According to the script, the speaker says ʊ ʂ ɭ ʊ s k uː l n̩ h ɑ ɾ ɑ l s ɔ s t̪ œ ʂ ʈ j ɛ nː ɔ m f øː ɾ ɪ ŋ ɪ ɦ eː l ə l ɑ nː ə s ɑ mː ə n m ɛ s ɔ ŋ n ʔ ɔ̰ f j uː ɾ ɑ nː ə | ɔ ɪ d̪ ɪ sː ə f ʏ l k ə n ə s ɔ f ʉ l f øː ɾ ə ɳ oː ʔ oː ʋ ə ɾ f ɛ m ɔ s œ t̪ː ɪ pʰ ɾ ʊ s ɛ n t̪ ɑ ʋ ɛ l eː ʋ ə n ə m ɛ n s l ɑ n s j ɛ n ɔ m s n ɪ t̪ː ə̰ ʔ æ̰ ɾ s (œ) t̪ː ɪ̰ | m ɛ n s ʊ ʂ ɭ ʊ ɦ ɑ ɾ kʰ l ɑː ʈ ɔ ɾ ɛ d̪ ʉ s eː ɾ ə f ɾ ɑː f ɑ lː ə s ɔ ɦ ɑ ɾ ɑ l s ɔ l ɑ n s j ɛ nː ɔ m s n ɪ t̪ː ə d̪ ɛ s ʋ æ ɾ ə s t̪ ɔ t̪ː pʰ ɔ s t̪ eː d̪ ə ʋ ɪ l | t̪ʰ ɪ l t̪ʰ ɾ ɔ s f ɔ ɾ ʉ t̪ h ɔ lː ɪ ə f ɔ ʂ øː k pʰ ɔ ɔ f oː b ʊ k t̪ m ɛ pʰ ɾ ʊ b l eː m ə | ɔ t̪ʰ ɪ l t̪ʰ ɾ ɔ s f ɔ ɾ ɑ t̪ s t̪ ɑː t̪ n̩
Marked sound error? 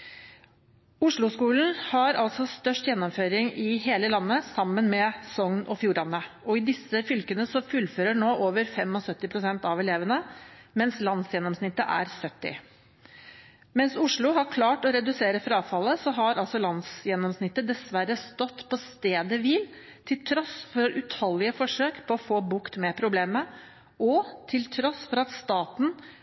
no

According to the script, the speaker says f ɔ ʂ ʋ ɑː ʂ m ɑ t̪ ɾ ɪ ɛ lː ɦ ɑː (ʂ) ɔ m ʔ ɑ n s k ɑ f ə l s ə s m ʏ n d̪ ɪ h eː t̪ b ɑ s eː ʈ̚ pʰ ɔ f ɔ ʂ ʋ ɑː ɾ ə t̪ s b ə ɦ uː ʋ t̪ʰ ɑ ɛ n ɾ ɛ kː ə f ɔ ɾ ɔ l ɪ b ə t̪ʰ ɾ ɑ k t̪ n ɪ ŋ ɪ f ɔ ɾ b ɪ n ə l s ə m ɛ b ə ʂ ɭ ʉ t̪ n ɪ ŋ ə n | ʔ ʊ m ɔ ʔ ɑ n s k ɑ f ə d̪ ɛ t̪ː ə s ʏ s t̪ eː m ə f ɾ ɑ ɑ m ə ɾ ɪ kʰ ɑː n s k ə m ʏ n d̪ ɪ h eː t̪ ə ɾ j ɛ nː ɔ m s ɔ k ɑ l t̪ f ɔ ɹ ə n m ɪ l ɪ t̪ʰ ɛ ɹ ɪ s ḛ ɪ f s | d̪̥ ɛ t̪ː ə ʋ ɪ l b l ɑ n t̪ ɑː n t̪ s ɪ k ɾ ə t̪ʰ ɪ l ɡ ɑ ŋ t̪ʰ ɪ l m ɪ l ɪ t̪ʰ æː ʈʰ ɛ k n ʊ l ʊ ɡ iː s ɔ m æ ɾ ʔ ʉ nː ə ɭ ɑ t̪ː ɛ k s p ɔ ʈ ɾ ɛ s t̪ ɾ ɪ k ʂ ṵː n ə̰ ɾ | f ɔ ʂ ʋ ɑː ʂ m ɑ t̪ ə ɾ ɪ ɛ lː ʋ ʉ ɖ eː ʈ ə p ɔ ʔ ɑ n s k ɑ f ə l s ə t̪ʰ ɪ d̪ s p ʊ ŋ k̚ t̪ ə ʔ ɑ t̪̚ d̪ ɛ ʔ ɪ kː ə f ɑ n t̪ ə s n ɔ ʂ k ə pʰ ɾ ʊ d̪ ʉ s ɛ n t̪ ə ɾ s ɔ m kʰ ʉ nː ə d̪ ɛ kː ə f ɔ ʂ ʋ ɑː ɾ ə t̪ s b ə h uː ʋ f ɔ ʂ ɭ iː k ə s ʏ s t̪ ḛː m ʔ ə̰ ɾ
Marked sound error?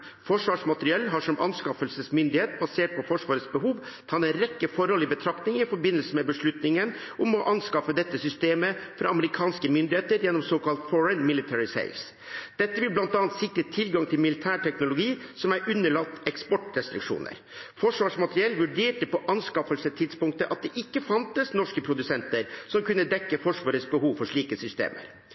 no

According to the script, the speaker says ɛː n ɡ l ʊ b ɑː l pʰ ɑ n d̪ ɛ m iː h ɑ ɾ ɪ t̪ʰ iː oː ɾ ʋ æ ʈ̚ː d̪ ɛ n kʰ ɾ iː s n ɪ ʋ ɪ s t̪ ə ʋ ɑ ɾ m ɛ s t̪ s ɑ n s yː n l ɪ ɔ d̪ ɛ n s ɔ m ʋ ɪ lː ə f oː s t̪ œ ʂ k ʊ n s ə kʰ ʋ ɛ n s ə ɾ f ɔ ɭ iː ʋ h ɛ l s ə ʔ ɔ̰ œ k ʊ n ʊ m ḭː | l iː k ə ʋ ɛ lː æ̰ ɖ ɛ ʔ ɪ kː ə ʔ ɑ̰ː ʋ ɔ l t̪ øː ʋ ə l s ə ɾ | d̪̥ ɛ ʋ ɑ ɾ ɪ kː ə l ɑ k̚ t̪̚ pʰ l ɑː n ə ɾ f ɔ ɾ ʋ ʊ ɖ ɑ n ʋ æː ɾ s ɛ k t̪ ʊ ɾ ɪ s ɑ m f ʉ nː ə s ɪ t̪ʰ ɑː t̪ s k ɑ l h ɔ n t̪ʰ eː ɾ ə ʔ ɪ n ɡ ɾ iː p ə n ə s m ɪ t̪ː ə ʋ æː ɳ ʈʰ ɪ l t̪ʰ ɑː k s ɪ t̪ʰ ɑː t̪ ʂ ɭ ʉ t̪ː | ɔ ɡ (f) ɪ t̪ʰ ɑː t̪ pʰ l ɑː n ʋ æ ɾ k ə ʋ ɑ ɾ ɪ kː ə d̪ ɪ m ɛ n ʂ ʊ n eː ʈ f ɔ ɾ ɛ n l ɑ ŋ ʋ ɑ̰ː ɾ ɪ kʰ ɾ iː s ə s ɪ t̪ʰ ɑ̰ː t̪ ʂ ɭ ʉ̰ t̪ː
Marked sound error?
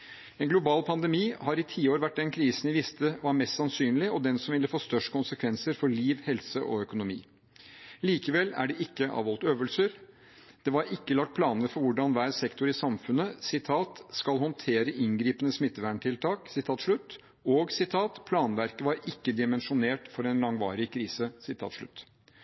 yes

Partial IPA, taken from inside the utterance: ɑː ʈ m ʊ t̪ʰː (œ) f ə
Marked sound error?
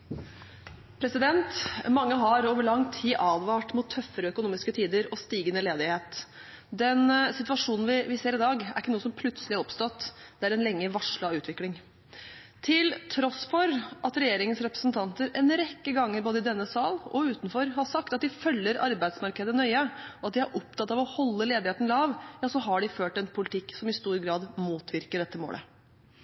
no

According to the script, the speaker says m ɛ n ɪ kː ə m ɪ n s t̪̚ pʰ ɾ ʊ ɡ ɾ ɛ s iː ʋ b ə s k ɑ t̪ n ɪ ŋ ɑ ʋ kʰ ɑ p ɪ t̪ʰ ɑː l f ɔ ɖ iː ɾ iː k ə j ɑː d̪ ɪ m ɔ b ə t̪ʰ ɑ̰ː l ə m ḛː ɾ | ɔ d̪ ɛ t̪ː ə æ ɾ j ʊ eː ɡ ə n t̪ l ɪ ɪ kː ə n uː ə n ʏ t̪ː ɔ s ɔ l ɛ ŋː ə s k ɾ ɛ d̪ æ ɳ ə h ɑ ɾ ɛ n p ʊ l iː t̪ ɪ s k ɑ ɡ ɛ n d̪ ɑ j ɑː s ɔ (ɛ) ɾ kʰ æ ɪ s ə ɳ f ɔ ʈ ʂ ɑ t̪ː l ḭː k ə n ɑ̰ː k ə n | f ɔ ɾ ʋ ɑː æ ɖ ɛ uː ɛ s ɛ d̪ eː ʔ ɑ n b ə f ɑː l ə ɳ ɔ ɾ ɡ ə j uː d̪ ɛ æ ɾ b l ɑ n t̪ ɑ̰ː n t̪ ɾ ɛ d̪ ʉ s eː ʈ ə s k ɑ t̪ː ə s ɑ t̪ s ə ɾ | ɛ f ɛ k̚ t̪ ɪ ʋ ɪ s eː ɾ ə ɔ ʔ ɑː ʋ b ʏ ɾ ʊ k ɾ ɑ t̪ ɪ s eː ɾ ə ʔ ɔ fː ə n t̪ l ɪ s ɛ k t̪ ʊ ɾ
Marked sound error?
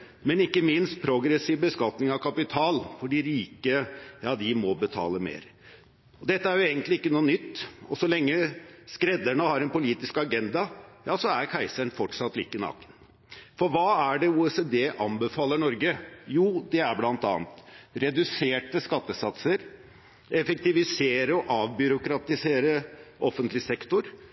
yes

